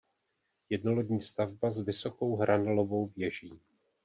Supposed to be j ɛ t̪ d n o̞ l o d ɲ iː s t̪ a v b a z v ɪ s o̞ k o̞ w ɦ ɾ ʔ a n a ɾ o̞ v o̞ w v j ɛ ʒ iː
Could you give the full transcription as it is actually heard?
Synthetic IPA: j ɛ d n o̞ l o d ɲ iː s t̪ a v b a z v ɪ s o̞ k o̞ w ɦ ɾ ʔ a n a l o̞ v o̞ w v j ɛ ʒ iː